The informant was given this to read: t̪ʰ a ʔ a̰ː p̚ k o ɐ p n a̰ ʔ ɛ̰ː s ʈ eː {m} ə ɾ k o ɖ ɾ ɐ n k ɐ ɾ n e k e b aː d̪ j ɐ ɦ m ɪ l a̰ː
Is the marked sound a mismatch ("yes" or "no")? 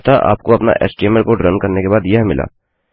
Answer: no